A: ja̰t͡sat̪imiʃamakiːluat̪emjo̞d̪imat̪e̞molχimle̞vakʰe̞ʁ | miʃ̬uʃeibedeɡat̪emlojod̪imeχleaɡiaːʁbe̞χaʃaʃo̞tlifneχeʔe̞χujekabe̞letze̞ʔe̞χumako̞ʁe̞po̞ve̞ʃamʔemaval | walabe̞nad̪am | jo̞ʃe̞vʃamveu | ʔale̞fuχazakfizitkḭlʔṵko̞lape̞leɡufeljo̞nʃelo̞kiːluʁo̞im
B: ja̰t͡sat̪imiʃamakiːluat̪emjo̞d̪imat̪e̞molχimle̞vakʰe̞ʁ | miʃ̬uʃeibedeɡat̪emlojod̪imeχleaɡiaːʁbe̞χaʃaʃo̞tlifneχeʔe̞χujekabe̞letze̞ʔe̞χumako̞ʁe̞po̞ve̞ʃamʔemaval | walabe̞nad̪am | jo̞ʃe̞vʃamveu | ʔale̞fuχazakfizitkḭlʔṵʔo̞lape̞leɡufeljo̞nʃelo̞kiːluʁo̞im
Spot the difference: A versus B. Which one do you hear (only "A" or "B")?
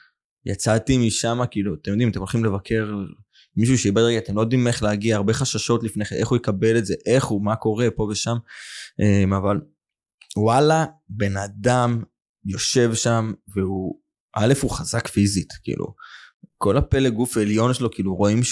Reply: A